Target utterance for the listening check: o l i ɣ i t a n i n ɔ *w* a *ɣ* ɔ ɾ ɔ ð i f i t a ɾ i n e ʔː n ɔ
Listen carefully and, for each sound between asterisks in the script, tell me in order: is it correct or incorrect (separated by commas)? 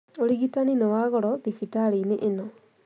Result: correct, correct